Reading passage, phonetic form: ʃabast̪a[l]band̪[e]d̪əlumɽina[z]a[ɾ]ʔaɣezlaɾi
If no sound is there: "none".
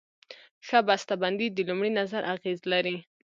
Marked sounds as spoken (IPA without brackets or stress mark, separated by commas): none, i, z, ɾ